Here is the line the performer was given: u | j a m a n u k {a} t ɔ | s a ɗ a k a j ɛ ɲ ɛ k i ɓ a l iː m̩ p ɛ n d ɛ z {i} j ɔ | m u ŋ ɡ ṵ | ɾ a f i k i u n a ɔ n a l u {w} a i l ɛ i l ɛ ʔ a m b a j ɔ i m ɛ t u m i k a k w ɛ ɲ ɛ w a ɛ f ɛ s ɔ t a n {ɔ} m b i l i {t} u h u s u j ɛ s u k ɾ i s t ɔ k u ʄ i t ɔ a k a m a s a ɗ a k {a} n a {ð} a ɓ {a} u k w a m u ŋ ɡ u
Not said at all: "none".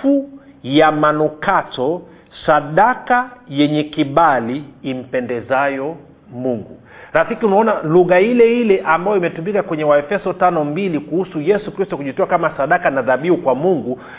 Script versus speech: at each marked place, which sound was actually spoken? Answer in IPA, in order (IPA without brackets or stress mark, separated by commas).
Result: a, a, ɣ, ɔ, k, a, ð, i